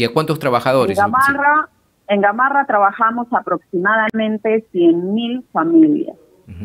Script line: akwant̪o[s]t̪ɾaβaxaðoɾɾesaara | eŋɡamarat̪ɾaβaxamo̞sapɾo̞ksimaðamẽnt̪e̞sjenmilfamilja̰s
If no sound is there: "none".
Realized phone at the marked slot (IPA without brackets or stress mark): s